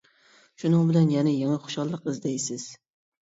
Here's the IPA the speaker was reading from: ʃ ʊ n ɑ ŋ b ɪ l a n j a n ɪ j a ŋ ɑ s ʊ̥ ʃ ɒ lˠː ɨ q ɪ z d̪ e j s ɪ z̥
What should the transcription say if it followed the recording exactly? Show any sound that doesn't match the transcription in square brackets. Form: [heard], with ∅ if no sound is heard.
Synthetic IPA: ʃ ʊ n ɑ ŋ b ɪ l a n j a n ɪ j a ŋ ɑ [χ] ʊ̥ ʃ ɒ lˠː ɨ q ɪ z d̪ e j s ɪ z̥